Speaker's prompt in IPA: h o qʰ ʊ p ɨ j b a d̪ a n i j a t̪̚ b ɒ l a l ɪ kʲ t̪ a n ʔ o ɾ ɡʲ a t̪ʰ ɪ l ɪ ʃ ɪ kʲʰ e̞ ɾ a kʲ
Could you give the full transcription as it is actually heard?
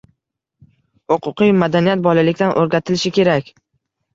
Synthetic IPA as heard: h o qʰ ʊ q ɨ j m a d̪ a n i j a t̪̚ b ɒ l a l ɪ kʲ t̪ a n ʔ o ɾ ɡʲ a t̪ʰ ɪ l ɪ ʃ ɪ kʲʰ e̞ ɾ a kʲ